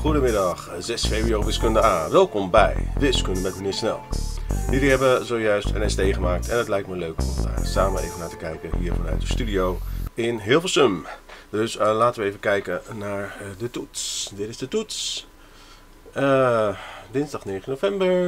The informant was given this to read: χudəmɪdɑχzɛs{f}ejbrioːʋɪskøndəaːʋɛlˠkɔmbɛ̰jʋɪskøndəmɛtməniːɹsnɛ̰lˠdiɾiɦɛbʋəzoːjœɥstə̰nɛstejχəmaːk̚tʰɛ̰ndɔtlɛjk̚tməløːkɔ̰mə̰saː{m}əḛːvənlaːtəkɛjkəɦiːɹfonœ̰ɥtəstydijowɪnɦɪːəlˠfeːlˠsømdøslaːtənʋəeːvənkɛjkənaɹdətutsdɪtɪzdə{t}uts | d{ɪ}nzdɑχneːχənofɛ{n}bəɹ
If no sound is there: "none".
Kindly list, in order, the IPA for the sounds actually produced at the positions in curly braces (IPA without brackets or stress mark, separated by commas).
f, m, t, ɪ, m